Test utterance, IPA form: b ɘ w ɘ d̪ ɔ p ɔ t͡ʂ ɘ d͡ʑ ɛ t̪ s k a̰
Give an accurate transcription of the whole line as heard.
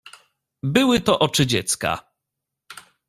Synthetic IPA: b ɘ w ɘ t̪ ɔ ʔ ɔ t͡ʂ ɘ d͡ʑ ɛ t̪ s k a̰